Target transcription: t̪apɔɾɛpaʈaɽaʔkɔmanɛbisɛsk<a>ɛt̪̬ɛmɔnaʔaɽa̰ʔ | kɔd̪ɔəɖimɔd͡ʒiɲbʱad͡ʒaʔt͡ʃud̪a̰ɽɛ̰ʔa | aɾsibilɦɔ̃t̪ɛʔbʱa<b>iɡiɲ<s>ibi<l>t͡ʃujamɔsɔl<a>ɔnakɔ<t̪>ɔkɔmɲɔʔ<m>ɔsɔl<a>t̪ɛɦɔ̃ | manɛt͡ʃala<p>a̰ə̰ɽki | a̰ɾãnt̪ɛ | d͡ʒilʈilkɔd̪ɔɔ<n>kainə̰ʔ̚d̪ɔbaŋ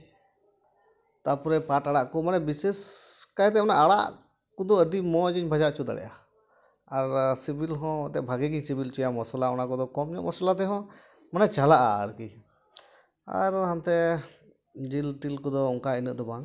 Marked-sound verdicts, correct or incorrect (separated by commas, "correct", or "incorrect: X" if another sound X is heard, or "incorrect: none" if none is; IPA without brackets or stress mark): correct, incorrect: ɡ, correct, correct, correct, incorrect: d̪, correct, correct, incorrect: ʔ, incorrect: ŋ